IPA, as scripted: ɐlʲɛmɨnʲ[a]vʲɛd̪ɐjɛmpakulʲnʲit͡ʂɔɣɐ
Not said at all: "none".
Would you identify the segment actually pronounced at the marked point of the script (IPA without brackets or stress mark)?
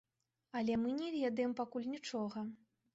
ɛ